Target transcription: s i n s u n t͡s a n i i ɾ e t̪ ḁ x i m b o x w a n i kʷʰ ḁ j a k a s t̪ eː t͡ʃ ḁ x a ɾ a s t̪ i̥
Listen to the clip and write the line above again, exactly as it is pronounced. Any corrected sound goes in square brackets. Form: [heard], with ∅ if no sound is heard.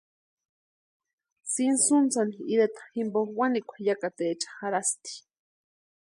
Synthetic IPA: s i n s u n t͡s a n i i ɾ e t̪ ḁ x i m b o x w a n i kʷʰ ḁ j a k a [∅] t̪ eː t͡ʃ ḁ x a ɾ a s t̪ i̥